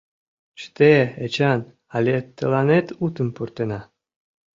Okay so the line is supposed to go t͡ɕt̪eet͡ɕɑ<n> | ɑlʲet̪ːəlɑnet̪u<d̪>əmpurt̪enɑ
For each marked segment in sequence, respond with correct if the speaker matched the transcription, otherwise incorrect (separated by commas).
correct, incorrect